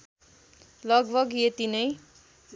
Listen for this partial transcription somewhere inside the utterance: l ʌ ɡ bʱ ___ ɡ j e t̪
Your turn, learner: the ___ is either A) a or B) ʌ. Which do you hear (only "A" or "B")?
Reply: B